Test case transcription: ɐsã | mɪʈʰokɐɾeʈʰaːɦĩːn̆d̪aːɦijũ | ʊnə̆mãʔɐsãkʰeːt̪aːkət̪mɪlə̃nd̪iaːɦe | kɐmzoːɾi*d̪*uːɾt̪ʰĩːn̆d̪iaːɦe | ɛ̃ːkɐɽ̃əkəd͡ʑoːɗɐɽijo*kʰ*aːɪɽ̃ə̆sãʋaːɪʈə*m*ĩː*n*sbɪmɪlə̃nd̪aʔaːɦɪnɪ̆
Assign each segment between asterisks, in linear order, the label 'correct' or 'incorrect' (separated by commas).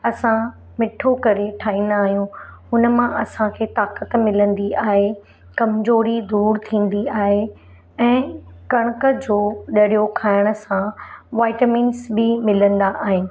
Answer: correct, correct, correct, correct